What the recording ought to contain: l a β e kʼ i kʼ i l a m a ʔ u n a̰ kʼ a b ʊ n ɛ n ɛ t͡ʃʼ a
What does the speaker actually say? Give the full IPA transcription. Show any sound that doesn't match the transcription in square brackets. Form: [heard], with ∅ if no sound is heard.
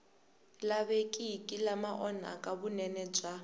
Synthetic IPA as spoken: l a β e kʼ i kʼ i l a m a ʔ [ɔ] n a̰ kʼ a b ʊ n ɛ n ɛ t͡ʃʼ a